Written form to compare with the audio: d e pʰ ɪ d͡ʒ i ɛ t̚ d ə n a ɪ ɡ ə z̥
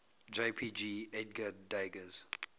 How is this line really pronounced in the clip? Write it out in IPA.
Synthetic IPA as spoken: d͡ʒ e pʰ i d͡ʒ i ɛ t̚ ɡ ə d a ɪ ɡ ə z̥